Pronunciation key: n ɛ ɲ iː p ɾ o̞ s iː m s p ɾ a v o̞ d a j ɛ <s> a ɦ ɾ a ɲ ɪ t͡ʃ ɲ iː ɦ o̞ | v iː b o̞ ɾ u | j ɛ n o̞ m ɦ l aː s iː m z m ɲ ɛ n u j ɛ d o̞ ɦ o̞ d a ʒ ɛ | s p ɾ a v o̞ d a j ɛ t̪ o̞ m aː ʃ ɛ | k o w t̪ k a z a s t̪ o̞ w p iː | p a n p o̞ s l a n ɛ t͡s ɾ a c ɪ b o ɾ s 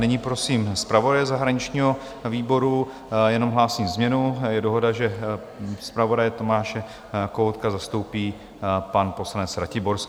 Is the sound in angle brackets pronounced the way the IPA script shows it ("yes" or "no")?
no